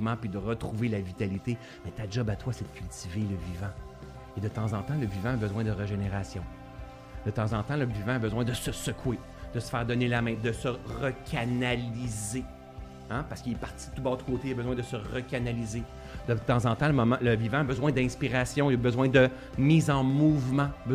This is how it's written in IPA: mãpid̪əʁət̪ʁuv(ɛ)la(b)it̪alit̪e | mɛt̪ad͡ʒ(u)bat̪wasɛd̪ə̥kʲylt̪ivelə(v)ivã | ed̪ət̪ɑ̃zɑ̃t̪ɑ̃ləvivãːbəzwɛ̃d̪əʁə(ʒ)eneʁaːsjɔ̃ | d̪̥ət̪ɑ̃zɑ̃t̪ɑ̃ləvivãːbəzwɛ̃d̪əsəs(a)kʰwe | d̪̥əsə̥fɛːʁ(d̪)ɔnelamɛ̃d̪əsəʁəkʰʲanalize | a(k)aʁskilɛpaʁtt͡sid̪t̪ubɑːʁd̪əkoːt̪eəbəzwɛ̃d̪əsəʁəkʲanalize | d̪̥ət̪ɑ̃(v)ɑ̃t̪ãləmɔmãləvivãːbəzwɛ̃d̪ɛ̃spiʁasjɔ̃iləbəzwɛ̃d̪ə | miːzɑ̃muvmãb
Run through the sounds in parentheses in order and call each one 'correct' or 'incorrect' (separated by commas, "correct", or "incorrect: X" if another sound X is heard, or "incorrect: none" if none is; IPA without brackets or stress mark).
incorrect: e, incorrect: v, incorrect: ɔ, correct, correct, incorrect: ə, correct, incorrect: p, incorrect: z